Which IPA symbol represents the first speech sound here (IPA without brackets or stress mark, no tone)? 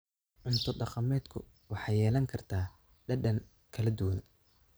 ʕ